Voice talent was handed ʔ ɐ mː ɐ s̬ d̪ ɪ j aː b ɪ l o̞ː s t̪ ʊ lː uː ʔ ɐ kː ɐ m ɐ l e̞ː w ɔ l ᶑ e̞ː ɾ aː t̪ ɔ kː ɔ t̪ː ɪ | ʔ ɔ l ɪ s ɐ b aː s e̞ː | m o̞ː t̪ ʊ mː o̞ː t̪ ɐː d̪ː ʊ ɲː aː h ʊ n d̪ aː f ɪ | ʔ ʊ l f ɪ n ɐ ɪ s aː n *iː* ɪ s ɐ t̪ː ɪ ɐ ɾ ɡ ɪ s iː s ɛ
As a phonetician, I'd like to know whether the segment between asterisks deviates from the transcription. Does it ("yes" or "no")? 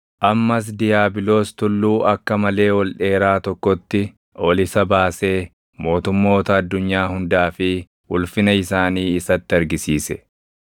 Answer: no